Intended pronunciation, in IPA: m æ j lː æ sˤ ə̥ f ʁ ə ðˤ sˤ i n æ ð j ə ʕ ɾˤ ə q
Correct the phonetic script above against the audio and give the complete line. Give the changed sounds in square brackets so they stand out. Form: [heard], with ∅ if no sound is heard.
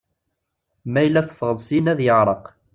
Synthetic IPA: m æ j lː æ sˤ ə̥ f ʁ ə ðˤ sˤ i n æ ð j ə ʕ ɾˤ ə q